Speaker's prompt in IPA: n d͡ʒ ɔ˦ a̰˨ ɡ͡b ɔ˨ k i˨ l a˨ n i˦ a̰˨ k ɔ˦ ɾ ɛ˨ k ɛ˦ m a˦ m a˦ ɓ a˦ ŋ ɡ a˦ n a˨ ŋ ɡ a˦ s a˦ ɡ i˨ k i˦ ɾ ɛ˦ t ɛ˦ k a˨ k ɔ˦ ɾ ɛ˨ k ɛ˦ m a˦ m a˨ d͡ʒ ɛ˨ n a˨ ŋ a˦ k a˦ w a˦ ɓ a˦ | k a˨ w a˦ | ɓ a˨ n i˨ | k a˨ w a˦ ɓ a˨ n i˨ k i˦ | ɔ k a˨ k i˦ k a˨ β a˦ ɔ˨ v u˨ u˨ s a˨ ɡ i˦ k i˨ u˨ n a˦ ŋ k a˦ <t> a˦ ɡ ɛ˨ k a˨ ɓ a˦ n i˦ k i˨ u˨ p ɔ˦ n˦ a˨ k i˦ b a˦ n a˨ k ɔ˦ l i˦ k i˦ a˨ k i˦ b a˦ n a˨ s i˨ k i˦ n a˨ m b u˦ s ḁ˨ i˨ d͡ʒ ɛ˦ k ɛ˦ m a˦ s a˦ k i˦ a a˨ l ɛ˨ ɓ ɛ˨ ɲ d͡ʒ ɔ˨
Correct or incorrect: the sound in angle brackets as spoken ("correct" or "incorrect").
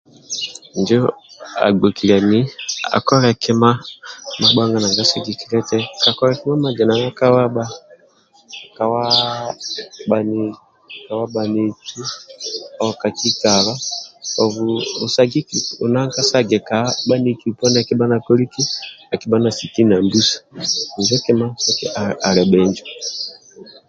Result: incorrect